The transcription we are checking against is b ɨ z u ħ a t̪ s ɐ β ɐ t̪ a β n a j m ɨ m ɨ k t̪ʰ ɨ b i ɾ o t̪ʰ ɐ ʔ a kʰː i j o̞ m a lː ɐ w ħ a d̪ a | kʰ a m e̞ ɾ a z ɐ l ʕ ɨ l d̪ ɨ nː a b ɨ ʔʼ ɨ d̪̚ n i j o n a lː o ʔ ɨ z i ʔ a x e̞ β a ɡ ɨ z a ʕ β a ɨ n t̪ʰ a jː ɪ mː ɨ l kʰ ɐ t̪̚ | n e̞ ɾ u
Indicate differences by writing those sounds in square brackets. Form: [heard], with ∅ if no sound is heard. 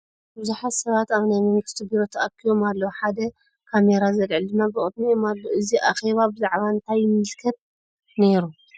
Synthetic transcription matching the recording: b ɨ z u ħ a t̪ s ɐ β [a] t̪ a β n a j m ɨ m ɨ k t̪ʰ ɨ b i ɾ o t̪ʰ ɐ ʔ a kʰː i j o̞ m a lː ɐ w ħ a d̪ [ɐ] | kʰ a m e̞ ɾ a z ɐ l ʕ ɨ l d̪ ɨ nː a b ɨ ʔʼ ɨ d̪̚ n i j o [m] a lː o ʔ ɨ z i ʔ a x e̞ β a [b] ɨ z a ʕ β a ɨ n t̪ʰ a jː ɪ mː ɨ l kʰ ɐ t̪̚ | n e̞ ɾ u